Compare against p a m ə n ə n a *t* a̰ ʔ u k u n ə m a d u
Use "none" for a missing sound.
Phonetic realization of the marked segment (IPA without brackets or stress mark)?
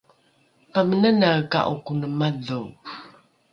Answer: k